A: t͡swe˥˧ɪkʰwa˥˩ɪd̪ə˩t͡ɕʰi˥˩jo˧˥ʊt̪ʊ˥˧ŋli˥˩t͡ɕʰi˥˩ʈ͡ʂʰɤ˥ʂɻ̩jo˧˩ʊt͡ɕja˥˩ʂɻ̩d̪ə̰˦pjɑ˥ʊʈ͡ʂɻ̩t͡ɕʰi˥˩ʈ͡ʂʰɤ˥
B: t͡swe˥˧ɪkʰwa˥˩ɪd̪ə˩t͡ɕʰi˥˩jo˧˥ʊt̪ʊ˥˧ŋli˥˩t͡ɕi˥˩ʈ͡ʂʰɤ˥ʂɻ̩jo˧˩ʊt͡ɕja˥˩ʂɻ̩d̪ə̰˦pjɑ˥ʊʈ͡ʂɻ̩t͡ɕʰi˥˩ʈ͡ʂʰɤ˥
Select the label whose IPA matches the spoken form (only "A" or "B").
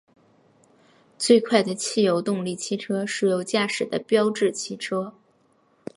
A